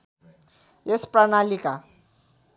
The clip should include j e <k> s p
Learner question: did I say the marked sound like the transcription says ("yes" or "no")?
no